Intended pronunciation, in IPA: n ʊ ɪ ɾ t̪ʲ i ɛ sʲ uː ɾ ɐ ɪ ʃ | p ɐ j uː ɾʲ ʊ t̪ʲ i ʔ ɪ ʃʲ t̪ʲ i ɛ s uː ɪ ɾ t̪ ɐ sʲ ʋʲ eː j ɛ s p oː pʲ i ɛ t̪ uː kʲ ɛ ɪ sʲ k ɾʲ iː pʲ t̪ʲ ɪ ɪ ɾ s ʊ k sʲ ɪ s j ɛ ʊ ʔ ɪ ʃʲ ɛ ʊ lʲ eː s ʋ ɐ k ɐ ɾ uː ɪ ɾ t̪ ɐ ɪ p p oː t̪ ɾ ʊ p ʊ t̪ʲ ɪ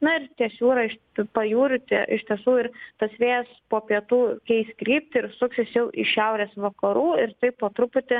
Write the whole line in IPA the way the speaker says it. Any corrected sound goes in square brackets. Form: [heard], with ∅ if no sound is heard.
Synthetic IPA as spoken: n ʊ ɪ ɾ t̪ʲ i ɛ sʲ uː ɾ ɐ ɪ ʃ | p ɐ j uː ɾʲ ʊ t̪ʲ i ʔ ɪ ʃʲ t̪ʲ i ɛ s uː ɪ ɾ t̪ ɐ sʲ ʋʲ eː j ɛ s p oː pʲ i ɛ t̪ uː kʲ ɛ ɪ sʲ k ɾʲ iː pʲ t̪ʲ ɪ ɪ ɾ s ʊ k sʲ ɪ s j ɛ ʊ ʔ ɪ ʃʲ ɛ ʊ [ɾʲ] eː s ʋ ɐ k ɐ ɾ uː ɪ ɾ t̪ ɐ ɪ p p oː t̪ ɾ ʊ p ʊ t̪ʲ ɪ